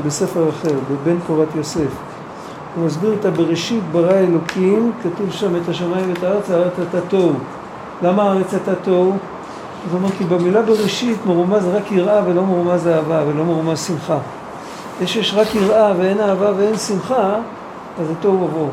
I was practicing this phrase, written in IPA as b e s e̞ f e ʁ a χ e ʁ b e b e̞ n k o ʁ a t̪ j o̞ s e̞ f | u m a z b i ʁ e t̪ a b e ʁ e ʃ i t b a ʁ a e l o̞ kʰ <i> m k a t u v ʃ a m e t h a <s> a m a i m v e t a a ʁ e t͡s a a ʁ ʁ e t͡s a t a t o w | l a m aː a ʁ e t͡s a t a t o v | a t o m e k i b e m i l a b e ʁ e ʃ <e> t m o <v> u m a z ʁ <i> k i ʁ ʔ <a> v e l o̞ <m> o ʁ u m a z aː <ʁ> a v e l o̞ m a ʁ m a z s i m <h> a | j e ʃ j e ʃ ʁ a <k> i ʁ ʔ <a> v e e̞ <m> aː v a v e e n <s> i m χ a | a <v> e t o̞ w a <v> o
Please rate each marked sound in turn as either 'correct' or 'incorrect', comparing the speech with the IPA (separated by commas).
correct, incorrect, incorrect, incorrect, incorrect, correct, correct, incorrect, incorrect, correct, correct, incorrect, correct, incorrect, correct